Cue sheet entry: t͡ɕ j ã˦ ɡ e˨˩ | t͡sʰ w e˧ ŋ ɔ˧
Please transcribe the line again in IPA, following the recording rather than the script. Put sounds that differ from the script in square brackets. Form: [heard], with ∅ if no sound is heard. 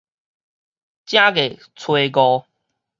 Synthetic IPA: t͡ɕ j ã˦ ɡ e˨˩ | t͡sʰ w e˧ [ɡ] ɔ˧